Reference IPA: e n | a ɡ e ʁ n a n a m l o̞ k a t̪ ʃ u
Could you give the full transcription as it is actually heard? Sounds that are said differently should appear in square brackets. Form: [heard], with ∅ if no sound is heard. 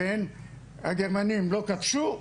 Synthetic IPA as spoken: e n | a ɡ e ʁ [m] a n [i] m l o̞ k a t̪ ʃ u